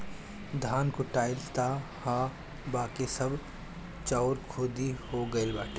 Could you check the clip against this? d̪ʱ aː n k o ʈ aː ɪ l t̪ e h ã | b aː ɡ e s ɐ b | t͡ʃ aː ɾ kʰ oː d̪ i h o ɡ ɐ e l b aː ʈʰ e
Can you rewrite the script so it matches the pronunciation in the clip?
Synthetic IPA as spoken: d̪ʱ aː n k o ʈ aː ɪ l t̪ a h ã | b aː k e s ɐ b | t͡ʃ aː ɾ kʰ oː d̪ i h o ɡ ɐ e l b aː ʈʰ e